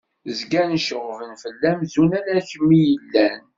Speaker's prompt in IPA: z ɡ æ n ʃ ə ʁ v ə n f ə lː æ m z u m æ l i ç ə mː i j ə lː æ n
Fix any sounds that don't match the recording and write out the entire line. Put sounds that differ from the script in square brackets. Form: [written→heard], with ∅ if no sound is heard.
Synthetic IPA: z ɡ æ n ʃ ə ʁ v ə n f ə lː æ m z u [m→n] æ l [i→æ] ç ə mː i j ə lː æ n

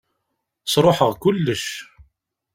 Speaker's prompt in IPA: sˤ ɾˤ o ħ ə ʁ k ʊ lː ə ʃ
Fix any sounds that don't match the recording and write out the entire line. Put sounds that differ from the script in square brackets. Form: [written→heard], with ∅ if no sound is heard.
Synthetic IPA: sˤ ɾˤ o ħ ə ʁ k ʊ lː ə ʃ

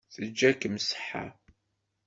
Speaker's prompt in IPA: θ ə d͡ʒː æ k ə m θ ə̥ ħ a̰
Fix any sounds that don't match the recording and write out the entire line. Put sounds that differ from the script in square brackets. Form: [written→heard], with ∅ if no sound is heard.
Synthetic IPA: θ ə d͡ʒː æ k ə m [θ→s] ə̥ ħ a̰

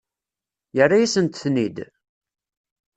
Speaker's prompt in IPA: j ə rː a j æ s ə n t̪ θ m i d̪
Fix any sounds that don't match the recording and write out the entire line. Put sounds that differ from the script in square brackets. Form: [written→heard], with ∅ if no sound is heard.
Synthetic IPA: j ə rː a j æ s ə n t̪ θ [m→n] i d̪

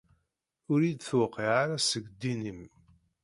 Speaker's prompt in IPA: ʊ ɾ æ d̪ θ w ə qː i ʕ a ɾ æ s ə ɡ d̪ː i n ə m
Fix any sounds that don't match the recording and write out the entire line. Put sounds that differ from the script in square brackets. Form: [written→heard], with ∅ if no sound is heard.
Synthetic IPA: ʊ ɾ [æ→i] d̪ θ w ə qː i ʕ a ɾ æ s ə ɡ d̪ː i n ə m

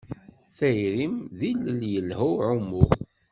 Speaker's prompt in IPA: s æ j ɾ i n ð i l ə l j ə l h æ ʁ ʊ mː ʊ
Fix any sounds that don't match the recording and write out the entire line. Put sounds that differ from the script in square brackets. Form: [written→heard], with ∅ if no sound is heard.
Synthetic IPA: [s→θ] æ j ɾ i [n→m] ð i l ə l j ə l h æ [ʁ→ʕ] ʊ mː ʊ

